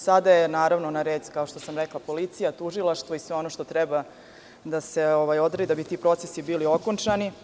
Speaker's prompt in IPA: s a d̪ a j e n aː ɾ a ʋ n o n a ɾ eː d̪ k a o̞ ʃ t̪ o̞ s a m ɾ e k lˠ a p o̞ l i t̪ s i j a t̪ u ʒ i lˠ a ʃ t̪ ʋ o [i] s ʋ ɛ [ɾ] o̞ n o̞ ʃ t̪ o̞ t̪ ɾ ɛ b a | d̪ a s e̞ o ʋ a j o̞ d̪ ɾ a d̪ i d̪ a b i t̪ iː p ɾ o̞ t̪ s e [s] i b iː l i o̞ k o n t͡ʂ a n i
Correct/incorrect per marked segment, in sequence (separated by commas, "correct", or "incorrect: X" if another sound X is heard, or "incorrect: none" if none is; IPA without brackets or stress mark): correct, incorrect: none, correct